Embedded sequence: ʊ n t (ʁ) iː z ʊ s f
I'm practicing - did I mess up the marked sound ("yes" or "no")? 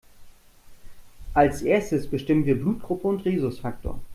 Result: no